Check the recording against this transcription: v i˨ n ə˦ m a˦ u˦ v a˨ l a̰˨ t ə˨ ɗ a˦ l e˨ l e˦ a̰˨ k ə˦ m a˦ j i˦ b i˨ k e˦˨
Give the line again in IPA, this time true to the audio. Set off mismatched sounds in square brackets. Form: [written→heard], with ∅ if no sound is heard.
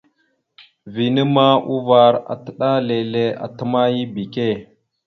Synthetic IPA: v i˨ n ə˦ m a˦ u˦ v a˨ [l→ɾ] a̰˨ t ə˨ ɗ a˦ l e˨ l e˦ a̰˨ [k→t] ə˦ m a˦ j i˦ b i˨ k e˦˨